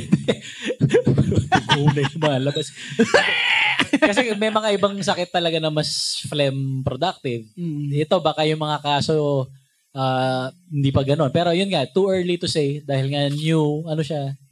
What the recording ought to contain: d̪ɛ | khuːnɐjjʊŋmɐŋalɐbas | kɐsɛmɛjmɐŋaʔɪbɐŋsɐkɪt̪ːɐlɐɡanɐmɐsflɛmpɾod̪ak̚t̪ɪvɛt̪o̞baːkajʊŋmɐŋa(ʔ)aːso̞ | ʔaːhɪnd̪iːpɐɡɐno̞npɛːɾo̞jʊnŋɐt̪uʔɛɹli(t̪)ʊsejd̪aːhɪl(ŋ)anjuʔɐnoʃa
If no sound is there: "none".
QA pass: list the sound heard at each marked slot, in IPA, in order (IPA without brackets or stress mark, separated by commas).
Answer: k, t̪, ŋ